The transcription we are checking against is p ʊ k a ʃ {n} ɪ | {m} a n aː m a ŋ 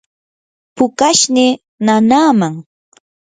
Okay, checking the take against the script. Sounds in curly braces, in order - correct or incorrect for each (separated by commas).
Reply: correct, incorrect